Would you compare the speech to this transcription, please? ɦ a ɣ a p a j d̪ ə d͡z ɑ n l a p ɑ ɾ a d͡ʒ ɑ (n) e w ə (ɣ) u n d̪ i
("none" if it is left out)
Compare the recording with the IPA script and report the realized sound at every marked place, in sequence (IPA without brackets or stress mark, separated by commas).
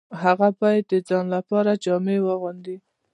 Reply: m, ɣ